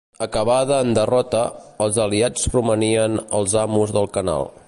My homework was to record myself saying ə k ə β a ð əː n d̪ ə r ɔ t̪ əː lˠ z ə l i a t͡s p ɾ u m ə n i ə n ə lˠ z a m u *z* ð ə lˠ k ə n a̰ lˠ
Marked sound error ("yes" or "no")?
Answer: no